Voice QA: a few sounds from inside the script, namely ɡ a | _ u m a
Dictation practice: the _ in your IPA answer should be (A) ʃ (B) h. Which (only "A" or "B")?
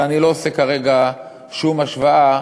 A